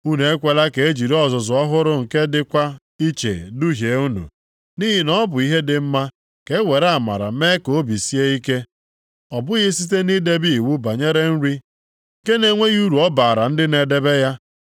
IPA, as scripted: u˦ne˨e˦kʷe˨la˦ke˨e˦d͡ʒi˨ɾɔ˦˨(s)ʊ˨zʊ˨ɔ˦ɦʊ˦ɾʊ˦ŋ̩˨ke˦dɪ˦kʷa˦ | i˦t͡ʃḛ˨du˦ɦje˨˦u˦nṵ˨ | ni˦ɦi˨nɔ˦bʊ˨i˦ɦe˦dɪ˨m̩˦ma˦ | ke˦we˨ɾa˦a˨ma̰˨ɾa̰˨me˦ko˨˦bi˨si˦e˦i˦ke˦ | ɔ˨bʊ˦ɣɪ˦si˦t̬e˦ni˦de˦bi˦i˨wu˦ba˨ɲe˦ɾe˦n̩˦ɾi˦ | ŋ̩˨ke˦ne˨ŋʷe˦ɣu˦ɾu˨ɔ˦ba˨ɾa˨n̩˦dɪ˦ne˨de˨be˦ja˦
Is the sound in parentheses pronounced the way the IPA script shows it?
no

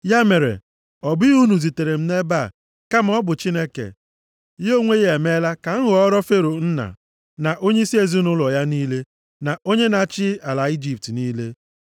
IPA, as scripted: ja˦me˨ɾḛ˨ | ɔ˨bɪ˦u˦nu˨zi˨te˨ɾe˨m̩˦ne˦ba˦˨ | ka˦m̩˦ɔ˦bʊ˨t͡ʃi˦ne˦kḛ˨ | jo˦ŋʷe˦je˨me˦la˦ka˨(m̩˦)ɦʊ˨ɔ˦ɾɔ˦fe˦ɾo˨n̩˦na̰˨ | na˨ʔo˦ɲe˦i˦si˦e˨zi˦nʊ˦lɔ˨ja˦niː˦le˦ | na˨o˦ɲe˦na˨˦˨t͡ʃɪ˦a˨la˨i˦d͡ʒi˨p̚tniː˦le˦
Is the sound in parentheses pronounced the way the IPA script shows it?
no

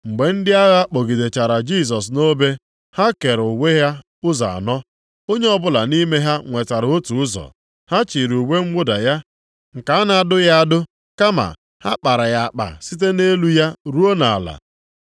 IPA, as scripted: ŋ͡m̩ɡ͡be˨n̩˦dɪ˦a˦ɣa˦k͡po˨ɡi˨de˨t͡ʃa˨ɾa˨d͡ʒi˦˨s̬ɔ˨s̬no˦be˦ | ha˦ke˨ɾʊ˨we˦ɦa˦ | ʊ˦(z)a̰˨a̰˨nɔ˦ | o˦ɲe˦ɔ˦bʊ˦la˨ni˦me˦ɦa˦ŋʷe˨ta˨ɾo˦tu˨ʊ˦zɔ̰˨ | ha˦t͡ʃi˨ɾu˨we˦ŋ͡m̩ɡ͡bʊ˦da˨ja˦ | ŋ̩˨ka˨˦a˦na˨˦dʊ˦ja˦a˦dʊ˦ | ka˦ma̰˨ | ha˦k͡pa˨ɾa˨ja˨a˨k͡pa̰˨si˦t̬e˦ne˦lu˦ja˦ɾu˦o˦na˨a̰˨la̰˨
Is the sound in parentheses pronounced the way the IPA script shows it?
yes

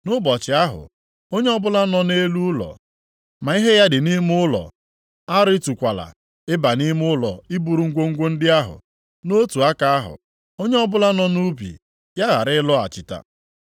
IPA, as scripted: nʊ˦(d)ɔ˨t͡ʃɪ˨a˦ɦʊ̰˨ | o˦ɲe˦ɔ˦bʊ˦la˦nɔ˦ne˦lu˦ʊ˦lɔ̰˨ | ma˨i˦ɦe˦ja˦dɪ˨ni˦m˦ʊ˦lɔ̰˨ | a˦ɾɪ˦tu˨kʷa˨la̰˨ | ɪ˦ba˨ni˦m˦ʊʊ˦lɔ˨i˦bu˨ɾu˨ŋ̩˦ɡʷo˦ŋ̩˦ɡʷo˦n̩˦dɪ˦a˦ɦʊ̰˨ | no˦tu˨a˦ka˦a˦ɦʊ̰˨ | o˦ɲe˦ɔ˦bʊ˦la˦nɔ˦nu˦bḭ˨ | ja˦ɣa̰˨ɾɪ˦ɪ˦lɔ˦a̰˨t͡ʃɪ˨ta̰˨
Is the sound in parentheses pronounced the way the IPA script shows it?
no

